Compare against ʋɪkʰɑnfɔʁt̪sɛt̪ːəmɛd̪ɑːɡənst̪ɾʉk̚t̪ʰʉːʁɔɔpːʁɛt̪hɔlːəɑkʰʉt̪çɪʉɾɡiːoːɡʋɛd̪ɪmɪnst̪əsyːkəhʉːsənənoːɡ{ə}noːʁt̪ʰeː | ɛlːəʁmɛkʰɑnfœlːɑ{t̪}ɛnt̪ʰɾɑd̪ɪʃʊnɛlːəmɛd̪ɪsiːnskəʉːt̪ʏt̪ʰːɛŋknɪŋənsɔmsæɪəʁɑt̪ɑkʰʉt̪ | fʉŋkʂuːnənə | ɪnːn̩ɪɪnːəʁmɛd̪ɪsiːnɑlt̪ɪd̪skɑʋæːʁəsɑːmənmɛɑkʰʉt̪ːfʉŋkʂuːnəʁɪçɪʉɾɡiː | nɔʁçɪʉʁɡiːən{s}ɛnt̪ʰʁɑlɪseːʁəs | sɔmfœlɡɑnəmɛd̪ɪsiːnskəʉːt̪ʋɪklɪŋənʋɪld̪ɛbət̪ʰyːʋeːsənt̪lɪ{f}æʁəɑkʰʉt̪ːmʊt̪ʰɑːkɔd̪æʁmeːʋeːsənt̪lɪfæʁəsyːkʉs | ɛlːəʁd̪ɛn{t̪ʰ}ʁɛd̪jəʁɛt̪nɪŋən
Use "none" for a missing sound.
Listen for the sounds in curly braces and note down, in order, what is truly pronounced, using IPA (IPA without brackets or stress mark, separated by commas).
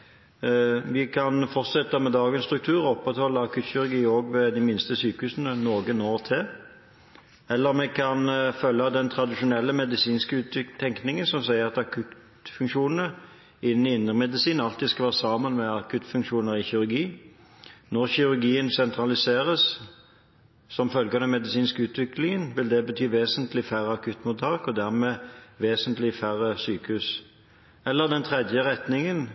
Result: ə, d̪, s, f, t̪ʰ